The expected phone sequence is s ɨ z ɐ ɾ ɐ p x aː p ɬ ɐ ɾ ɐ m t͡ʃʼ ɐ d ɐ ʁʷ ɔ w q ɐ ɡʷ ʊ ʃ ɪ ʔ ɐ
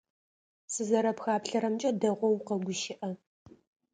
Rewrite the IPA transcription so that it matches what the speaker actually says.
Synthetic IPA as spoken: s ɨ z ɐ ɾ ɐ p x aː p ɬ ɐ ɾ ɐ m t͡ʃʼ ɐ d ɐ ʁʷ ɔ w q ɐ ɡʷ ʊ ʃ ɪ ʔ ɐ